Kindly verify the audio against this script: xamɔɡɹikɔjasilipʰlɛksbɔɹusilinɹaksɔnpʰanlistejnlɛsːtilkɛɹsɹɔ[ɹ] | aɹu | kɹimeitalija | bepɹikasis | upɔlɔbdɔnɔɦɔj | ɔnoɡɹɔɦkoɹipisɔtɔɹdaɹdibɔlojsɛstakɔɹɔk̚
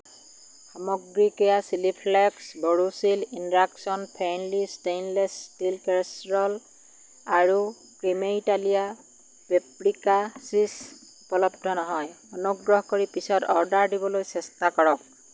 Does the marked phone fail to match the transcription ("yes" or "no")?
yes